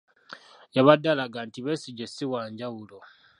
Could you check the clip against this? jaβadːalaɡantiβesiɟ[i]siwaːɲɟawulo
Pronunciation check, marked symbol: incorrect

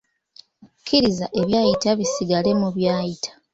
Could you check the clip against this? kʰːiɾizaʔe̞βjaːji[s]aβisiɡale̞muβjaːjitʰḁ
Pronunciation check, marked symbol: incorrect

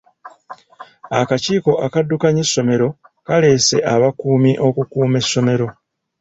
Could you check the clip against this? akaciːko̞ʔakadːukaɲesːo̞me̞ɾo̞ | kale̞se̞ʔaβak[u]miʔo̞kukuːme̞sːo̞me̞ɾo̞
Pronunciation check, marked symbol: incorrect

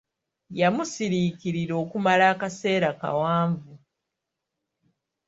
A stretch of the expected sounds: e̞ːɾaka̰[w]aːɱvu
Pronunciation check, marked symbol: correct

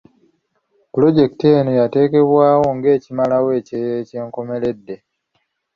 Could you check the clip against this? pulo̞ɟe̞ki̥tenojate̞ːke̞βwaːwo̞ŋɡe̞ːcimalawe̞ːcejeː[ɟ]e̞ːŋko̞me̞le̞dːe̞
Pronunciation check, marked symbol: incorrect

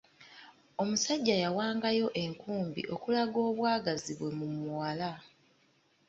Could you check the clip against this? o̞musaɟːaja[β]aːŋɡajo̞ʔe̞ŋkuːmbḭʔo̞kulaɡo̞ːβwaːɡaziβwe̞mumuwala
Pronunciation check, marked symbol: incorrect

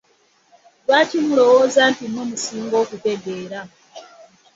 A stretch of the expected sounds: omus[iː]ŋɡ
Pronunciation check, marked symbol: correct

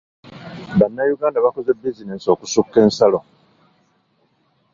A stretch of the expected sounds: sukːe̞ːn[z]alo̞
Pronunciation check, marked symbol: incorrect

